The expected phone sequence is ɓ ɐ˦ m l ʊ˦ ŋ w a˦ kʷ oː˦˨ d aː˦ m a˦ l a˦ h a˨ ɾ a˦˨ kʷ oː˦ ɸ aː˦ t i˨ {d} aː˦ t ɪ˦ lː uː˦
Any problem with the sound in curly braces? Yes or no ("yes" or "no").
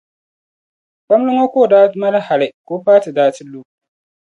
no